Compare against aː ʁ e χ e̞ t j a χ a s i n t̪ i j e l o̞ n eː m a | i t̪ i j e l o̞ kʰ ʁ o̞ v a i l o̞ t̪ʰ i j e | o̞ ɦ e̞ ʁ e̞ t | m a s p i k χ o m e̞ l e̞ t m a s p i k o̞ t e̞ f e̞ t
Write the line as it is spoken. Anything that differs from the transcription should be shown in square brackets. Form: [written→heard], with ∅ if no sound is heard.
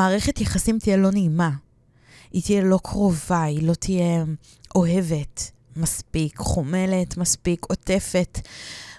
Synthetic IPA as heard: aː ʁ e χ e̞ t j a χ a s i [n→m] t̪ i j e l o̞ n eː m a | i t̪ i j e l o̞ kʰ ʁ o̞ v a i l o̞ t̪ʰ i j e | o̞ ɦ e̞ [ʁ→v] e̞ t | m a s p i k χ o m e̞ l e̞ t m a s p i k o̞ t e̞ f e̞ t